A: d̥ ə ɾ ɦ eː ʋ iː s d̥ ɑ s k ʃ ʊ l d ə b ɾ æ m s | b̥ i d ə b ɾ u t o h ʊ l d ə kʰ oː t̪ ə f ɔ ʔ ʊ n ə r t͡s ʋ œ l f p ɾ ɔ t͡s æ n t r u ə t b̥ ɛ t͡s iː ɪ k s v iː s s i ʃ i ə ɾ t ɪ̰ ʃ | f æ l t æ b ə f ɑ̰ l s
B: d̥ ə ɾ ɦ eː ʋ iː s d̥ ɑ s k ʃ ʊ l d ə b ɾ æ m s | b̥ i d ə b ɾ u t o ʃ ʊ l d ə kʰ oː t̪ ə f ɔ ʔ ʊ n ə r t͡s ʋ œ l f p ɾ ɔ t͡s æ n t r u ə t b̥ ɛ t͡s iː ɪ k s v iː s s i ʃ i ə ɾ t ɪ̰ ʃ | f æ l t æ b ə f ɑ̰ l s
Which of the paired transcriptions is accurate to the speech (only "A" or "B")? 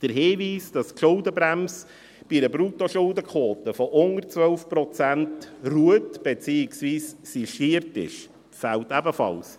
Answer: B